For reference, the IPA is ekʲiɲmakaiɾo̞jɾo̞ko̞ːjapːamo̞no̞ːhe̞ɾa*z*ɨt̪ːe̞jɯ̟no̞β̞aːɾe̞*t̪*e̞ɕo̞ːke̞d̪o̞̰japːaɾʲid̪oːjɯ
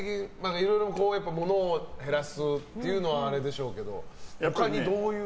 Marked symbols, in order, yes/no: no, no

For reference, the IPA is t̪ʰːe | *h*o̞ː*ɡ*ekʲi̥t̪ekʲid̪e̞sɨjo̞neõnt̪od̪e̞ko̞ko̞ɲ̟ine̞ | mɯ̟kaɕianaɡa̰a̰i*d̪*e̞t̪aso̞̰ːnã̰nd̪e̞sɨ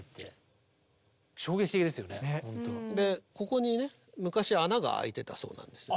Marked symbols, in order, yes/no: no, yes, no

